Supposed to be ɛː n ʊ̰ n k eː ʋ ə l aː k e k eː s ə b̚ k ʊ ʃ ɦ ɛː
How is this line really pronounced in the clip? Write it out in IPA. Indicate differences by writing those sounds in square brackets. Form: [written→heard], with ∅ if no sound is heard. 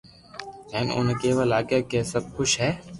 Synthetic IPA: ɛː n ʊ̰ n k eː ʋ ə l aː k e k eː s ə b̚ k ʊ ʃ ɦ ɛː